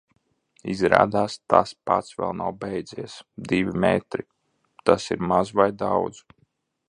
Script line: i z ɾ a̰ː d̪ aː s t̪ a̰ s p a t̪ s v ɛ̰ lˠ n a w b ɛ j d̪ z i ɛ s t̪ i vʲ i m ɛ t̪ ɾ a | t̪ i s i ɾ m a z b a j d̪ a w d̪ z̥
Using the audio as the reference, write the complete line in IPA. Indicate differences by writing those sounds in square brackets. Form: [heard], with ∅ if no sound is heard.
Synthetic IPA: i z ɾ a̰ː d̪ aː s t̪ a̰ s p a t̪ s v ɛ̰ lˠ n a w b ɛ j d̪ z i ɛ s [d̪] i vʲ i m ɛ t̪ ɾ [i] | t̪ [a] s i ɾ m a z [v] a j d̪ a w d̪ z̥

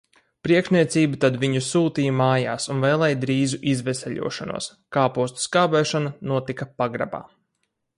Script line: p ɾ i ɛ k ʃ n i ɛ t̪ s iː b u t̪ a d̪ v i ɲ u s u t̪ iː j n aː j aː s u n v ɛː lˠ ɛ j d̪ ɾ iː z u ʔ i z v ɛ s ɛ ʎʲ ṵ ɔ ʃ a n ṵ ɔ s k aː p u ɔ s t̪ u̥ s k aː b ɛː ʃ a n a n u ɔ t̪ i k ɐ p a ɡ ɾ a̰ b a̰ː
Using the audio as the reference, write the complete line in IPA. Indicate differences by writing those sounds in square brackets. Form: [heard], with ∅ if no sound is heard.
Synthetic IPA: p ɾ i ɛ k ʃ n i ɛ t̪ s iː b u t̪ a d̪ v i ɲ u s [uː] t̪ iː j [m] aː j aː s u n v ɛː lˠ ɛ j d̪ ɾ iː z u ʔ i z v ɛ s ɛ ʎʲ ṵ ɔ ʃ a n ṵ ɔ s k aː p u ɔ s t̪ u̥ s k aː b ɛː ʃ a n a n u ɔ t̪ i k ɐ p a ɡ ɾ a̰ b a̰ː

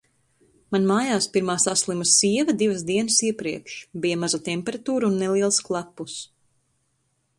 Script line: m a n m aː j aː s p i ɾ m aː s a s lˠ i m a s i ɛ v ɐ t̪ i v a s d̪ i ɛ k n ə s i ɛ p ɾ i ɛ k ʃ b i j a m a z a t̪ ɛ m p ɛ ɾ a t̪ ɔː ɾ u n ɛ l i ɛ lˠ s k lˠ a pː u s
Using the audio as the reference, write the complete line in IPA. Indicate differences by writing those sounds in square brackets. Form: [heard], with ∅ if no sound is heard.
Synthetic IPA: m a n m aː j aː s p i ɾ m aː s a s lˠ i m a s i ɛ v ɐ [d̪] i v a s d̪ i ɛ [∅] n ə s i ɛ p ɾ i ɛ k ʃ b i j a m a z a t̪ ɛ m p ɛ ɾ a t̪ [uː] ɾ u [nː] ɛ l i ɛ lˠ s k lˠ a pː u s

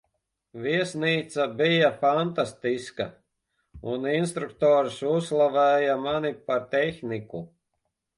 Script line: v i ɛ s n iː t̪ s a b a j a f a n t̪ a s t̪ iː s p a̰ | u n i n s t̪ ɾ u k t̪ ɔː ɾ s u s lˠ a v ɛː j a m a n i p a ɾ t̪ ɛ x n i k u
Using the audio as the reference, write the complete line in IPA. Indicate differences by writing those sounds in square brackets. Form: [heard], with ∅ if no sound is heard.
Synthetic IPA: v i ɛ s n iː t̪ s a b [i] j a f a n t̪ a s t̪ [i] s [k] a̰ | u n i n s t̪ ɾ u k t̪ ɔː ɾ s u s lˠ a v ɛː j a m a n i p a ɾ t̪ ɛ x n i k u

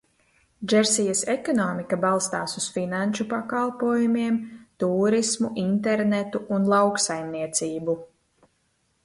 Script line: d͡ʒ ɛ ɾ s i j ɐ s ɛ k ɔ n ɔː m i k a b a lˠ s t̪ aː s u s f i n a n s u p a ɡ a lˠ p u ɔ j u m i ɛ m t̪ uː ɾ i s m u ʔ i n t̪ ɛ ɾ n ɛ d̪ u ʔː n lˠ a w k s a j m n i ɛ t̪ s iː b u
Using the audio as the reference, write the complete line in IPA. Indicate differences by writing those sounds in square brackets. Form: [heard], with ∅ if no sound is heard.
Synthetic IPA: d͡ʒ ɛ ɾ s i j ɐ s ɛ k ɔ n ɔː m i k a b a lˠ s t̪ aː s u s f i n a n [ʃ] u p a [k] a lˠ p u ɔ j u m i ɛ m t̪ uː ɾ i s m u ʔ i n t̪ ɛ ɾ n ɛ [t̪] u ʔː n lˠ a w k s a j m n i ɛ t̪ s iː b u

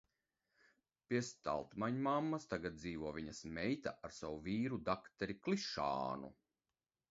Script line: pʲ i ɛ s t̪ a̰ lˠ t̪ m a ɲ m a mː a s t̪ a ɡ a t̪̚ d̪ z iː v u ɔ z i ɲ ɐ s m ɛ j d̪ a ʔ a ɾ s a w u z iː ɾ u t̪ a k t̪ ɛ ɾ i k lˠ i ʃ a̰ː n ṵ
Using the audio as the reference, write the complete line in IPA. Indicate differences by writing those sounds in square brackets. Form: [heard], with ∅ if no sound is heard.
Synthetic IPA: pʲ i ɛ s t̪ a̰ lˠ t̪ m a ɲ m a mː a s t̪ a ɡ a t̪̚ d̪ z iː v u ɔ [v] i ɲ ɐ s m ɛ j [t̪] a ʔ a ɾ s a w u [v] iː ɾ u [d̪] a k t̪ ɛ ɾ i k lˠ i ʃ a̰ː n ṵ

